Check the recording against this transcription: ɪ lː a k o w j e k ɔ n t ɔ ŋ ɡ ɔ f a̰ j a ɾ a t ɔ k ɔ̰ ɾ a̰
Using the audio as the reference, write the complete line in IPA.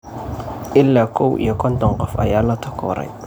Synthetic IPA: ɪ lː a k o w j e k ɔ n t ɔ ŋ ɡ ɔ f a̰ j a l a t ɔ k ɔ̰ ɾ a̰